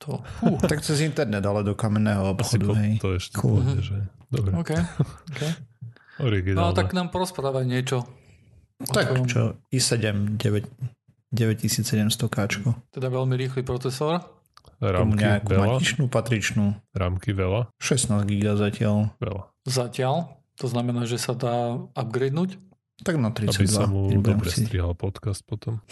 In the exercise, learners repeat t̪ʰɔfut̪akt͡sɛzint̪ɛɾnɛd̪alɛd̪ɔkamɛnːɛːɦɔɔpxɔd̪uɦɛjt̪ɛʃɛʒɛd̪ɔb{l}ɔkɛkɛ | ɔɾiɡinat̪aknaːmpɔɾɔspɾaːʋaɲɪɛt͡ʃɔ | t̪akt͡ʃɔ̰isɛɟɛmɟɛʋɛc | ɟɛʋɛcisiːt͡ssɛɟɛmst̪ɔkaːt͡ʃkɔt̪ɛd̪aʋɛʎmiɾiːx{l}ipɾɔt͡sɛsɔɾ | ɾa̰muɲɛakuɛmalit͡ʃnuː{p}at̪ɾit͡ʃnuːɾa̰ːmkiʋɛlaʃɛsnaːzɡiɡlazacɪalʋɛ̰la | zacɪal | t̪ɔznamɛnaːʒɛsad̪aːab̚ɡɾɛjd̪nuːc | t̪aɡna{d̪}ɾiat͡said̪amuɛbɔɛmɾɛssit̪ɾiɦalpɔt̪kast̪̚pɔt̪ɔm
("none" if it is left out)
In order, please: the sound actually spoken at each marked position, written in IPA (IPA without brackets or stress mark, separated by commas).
ɾ, l, p, t̪